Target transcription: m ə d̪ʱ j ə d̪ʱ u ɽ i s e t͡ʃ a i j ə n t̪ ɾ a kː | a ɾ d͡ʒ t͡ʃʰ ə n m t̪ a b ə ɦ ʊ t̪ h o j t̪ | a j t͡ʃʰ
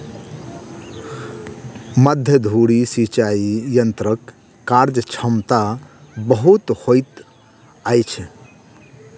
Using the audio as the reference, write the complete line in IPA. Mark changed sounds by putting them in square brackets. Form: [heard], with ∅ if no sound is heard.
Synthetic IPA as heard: m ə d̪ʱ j ə d̪ʱ u ɽ i s [i] t͡ʃ a i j ə n t̪ ɾ [ə] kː | a ɾ d͡ʒ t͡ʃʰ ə [∅] m t̪ a b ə ɦ [u] t̪ h o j t̪ | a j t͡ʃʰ